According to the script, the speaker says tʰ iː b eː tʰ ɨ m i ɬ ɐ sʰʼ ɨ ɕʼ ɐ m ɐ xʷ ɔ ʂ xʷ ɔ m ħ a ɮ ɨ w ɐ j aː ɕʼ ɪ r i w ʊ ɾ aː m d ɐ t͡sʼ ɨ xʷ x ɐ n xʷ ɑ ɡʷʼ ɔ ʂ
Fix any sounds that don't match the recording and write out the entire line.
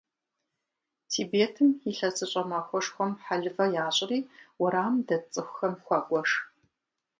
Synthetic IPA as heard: tʰ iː b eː tʰ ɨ m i ɬ ɐ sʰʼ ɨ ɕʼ ɐ m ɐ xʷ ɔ ʂ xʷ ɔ m ħ a ɮ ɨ v ɐ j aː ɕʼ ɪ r iː w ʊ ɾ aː m d ɐ t͡sʼ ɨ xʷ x ɐ m xʷ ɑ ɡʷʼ ɔ ʂ